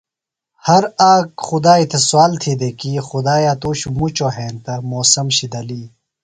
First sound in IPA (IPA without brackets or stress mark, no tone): h